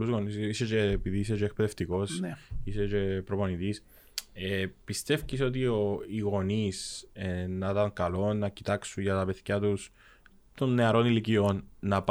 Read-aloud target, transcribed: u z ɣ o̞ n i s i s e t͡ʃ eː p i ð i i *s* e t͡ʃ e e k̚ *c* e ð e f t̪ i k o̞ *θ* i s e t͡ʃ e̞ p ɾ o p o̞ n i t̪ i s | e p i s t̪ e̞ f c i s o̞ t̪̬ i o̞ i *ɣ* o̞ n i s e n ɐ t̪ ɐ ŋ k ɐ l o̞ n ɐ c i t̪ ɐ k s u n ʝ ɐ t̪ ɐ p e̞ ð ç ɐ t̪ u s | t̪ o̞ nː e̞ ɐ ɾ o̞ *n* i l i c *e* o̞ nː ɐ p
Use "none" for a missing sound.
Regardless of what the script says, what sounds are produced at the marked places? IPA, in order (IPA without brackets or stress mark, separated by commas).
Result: s, p, s, ɣ, n, i